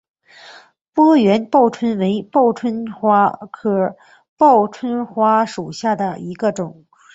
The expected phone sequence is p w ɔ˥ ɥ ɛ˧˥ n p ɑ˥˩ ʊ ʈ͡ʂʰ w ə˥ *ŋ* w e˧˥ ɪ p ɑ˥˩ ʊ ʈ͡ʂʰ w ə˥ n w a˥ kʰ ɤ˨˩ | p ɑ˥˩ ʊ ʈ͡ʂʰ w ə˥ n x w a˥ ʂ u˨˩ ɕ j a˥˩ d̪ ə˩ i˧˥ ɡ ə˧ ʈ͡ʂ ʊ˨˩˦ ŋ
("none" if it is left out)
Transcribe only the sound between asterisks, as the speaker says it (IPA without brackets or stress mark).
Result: n